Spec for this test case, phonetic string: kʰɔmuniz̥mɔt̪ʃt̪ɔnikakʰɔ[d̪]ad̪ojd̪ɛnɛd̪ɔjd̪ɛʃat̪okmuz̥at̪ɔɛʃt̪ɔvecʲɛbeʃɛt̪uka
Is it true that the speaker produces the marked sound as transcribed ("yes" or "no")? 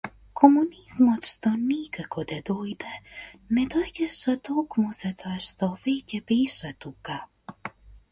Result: yes